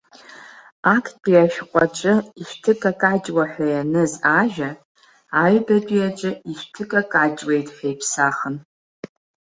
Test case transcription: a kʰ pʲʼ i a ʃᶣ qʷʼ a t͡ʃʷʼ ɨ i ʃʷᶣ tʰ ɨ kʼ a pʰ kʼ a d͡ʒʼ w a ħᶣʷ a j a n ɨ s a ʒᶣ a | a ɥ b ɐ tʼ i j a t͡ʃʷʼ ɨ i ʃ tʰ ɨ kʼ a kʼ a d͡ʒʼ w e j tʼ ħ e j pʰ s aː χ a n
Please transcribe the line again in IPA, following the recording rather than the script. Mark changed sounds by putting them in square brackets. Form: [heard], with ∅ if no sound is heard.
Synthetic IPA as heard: a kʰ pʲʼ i a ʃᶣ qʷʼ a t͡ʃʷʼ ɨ i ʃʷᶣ tʰ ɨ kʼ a [∅] kʼ a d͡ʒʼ w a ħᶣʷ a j a n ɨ [z] a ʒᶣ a | a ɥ b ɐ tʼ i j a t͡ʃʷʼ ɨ i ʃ tʰ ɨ kʼ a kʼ a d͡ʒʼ w e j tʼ ħ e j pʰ s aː χ [ə] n